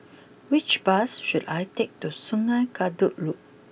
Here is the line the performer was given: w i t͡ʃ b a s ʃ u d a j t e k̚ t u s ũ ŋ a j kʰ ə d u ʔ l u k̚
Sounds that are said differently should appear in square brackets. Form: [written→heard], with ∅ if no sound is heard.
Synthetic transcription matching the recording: w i t͡ʃ b a s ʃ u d a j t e k̚ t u s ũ ŋ a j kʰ [ə→a] d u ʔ l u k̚